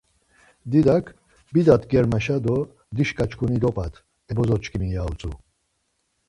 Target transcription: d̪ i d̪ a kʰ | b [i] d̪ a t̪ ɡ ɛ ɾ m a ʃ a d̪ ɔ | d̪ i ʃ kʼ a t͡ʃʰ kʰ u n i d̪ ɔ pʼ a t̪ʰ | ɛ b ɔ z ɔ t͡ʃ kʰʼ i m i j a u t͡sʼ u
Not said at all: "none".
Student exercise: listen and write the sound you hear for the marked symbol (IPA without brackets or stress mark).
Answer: i